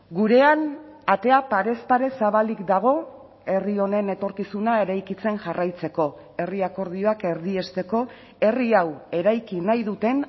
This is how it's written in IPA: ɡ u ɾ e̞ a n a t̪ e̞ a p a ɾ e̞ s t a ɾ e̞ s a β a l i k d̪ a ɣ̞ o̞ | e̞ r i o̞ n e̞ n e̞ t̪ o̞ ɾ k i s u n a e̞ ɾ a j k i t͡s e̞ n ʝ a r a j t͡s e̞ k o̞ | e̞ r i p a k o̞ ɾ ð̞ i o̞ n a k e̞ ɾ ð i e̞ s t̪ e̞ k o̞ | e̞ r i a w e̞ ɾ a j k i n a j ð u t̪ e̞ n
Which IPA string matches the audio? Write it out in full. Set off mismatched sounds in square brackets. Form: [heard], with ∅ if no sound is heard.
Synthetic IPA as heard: ɡ u ɾ e̞ a n a t̪ e̞ a p a ɾ e̞ s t a ɾ e̞ s a β a l i k d̪ a ɣ̞ o̞ | e̞ r i o̞ n e̞ n e̞ t̪ o̞ ɾ k i s u n a e̞ ɾ a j k i t͡s e̞ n ʝ a r a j t͡s e̞ k o̞ | e̞ r i [∅] a k o̞ ɾ ð̞ i o̞ [∅] a k e̞ ɾ ð i e̞ s t̪ e̞ k o̞ | e̞ r i a w e̞ ɾ a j k i n a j ð u t̪ e̞ n

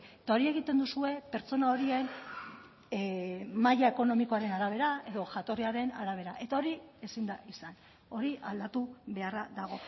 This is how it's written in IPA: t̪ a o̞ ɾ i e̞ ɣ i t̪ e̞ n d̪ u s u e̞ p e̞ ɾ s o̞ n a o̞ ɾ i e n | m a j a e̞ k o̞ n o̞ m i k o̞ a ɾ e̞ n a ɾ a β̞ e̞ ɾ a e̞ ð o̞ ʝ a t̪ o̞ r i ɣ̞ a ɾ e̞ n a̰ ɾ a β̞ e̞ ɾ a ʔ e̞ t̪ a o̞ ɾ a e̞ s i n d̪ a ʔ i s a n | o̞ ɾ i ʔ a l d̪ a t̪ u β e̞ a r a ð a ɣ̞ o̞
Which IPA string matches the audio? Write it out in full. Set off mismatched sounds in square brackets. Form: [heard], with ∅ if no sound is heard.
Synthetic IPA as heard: t̪ a o̞ ɾ i e̞ ɣ i t̪ e̞ n d̪ u s u e̞ p e̞ ɾ [t͡s] o̞ n a o̞ ɾ i e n | m a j a e̞ k o̞ n o̞ m i k o̞ a ɾ e̞ n a ɾ a β̞ e̞ ɾ a e̞ ð o̞ ʝ a t̪ o̞ r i [∅] a ɾ e̞ n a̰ ɾ a β̞ e̞ ɾ a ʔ e̞ t̪ a o̞ ɾ [i] e̞ s i n d̪ a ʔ i s a n | o̞ ɾ i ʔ a l d̪ a t̪ u β e̞ a r a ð a ɣ̞ o̞

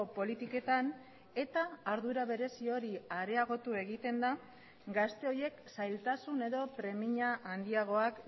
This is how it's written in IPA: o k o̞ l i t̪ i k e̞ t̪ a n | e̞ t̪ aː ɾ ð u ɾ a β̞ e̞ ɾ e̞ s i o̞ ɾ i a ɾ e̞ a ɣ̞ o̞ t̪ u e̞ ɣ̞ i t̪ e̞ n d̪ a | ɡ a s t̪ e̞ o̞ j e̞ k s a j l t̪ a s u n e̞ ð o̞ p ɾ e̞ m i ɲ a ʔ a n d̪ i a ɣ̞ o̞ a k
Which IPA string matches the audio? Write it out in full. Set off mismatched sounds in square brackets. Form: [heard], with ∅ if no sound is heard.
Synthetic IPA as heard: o [p] o̞ l i t̪ i k e̞ t̪ a n | e̞ t̪ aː ɾ ð u ɾ a β̞ e̞ ɾ e̞ s i o̞ ɾ i a ɾ e̞ a ɣ̞ o̞ t̪ u e̞ ɣ̞ i t̪ e̞ n d̪ a | ɡ a s t̪ e̞ o̞ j e̞ k s a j l t̪ a s u n e̞ ð o̞ p ɾ e̞ m i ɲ a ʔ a n d̪ i a ɣ̞ o̞ a k

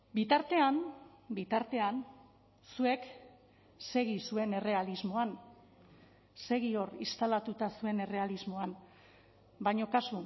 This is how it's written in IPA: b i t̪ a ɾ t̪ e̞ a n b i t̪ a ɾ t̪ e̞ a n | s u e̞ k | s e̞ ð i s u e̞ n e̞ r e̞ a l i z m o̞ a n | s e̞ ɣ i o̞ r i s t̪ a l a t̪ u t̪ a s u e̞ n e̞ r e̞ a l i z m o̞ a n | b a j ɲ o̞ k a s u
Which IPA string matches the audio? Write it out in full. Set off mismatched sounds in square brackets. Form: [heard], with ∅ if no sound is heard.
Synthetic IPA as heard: b i t̪ a ɾ t̪ e̞ a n b i t̪ a ɾ t̪ e̞ a n | s u e̞ k | s e̞ [ɣ] i s u e̞ n e̞ r e̞ a l i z m o̞ a n | s e̞ ɣ i o̞ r i s t̪ a l a t̪ u t̪ a s u e̞ n e̞ r e̞ a l i z m o̞ a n | b a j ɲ o̞ k a s u

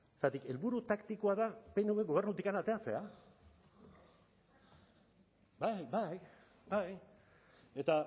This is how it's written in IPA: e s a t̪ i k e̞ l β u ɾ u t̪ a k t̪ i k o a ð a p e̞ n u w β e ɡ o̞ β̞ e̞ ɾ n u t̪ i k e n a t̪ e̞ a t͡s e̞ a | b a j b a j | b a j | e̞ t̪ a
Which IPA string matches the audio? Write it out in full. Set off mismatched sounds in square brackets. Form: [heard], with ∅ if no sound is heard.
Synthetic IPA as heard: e s a t̪ i k e̞ l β u ɾ u t̪ a k t̪ i k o a ð a p e̞ n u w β e ɡ o̞ β̞ e̞ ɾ n u t̪ i k [a] n a t̪ e̞ a t͡s e̞ a | b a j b a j | b a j | e̞ t̪ a

